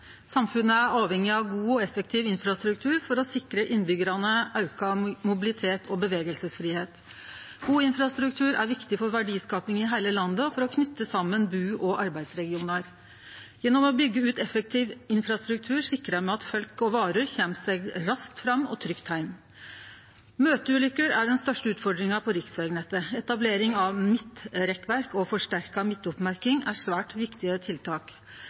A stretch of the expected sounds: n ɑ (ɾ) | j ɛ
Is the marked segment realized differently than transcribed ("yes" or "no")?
no